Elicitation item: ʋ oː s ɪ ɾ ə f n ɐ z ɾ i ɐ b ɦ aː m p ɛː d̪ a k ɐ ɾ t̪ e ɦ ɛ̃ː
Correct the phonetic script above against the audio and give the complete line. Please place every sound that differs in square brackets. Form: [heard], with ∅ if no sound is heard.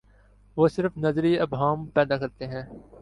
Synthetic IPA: ʋ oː s ɪ ɾ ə f n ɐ z ɾ i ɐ b ɦ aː m p ɛː d̪ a k ɐ ɾ t̪ e ɦ ɛ̃ː